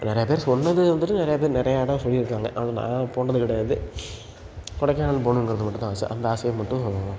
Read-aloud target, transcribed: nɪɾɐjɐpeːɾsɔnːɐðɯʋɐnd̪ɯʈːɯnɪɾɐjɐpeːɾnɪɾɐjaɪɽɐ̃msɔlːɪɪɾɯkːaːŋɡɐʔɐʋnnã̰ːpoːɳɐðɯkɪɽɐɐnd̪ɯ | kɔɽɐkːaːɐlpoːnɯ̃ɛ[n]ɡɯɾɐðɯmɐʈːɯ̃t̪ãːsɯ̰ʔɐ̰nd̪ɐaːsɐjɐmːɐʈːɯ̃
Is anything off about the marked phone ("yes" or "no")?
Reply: yes